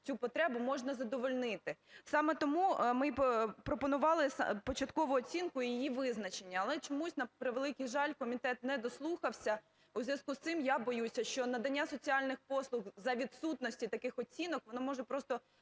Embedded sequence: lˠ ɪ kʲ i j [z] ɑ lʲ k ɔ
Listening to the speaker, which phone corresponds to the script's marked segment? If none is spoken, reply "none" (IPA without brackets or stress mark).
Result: ʒ